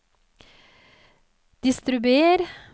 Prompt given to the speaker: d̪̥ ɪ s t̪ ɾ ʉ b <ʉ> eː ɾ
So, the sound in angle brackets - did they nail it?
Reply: yes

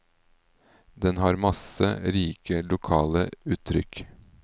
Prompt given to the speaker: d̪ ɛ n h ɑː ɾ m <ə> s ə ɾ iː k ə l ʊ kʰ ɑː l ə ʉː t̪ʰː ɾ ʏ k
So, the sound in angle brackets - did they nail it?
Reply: no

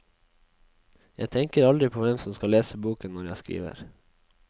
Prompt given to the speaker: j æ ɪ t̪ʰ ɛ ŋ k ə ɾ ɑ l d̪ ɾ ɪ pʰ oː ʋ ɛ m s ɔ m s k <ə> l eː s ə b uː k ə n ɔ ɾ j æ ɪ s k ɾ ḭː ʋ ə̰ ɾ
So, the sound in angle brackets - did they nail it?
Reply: no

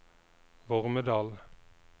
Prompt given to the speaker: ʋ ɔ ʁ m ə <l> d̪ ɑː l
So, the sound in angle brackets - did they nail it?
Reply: no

